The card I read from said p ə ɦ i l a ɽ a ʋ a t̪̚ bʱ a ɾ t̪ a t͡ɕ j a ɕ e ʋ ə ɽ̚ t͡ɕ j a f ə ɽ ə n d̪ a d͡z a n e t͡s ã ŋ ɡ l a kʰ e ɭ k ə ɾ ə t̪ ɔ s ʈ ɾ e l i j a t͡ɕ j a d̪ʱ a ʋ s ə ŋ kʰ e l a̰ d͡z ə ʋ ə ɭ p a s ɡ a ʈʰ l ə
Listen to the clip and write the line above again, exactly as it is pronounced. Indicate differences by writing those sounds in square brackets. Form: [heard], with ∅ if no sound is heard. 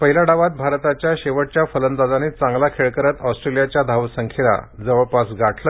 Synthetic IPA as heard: p ə ɦ i l a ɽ a ʋ a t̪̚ bʱ a ɾ t̪ a t͡ɕ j a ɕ e ʋ ə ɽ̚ t͡ɕ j a f ə [l] ə n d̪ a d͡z a n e t͡s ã ŋ ɡ l a kʰ e ɭ k ə ɾ ə t̪ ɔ s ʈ ɾ e l i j a t͡ɕ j a d̪ʱ a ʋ s ə ŋ kʰ e l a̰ d͡z ə ʋ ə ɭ p a s ɡ a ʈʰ l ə